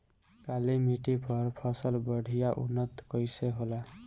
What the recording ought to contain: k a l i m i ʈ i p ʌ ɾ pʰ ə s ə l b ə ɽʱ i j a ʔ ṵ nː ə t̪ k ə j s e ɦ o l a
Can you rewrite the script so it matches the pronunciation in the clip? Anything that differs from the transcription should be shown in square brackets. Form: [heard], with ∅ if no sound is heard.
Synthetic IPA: k a l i m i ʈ i p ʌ ɾ pʰ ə s ə l b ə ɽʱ i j a ʔ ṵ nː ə t̪ k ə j s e ɦ o l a